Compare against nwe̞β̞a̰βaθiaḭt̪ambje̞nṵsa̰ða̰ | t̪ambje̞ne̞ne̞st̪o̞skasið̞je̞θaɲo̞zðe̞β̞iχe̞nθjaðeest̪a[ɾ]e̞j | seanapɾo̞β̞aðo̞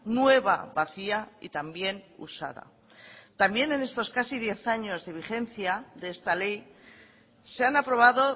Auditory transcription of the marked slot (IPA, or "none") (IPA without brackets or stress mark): l